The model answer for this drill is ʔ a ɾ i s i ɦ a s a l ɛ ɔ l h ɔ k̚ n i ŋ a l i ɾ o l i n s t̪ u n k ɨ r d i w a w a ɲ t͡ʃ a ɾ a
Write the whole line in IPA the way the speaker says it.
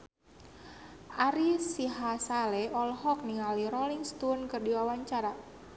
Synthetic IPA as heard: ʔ a ɾ i s i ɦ a s a l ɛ ɔ l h ɔ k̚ n i ŋ a l i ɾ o l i ŋ s t̪ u n k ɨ r d i w a w a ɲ t͡ʃ a ɾ a